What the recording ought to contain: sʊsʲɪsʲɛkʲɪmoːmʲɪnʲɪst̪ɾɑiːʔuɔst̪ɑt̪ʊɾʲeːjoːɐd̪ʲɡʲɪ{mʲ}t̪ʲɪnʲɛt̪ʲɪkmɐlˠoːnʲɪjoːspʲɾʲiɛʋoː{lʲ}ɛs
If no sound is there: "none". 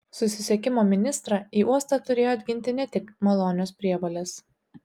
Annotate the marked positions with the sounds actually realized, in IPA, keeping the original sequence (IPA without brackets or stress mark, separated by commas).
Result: nʲ, lʲ